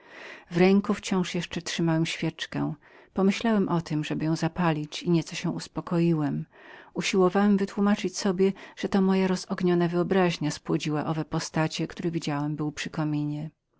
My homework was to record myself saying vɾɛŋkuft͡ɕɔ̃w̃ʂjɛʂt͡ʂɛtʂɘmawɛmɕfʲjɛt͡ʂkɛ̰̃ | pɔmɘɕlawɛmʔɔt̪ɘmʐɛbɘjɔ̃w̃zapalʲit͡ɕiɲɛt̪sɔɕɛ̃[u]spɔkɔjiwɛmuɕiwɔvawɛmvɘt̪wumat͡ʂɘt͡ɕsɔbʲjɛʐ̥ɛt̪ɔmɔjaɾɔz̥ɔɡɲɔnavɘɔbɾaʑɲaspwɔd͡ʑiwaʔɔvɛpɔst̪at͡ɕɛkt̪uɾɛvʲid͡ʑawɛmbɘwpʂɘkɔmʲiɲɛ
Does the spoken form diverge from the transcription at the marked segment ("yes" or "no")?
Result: no